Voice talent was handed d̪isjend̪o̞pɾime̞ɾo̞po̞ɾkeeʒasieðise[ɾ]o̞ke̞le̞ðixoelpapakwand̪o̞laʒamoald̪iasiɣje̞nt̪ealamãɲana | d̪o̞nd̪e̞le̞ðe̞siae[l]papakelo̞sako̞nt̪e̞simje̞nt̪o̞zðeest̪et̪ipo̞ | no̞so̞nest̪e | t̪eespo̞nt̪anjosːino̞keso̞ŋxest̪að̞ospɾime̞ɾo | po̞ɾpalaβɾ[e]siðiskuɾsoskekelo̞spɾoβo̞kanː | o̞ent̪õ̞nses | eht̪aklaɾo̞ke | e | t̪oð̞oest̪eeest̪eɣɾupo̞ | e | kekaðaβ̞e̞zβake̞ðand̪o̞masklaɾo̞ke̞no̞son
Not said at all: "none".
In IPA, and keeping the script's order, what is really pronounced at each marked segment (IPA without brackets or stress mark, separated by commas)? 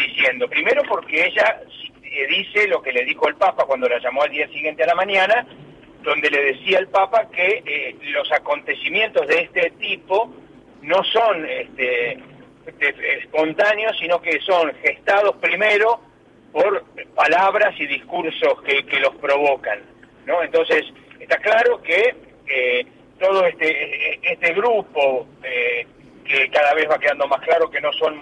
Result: l, l, a